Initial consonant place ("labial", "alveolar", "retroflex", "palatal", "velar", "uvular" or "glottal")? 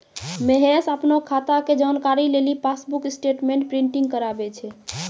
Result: labial